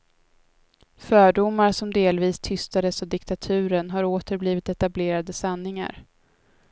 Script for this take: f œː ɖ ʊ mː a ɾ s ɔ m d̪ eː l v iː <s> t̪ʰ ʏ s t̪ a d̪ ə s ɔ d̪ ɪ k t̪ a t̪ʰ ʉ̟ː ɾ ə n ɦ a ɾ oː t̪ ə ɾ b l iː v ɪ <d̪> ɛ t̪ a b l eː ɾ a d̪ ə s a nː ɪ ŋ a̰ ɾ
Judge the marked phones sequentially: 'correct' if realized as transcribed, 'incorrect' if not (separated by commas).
correct, incorrect